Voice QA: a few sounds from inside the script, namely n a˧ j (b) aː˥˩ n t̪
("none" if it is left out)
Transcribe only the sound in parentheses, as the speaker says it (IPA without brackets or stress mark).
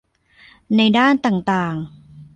d